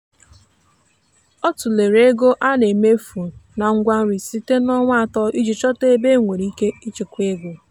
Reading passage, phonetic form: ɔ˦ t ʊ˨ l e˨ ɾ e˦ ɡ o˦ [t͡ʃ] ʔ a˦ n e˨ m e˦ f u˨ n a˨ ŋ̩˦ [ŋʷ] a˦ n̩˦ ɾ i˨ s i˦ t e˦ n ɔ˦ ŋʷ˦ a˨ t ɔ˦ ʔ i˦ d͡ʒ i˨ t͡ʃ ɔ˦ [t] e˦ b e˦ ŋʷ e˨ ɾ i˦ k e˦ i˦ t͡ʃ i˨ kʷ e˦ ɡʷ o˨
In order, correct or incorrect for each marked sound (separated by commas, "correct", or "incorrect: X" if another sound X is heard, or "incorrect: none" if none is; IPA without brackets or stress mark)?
incorrect: none, incorrect: ɡʷ, correct